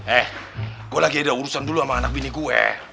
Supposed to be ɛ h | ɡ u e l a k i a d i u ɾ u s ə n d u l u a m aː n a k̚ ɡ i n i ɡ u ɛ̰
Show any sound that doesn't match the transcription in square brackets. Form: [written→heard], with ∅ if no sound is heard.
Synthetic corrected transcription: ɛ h | ɡ u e l a [k→ɡ] i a d [i→a] u ɾ u s [ə→a] n d u l u a m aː n a k̚ [ɡ→b] i n i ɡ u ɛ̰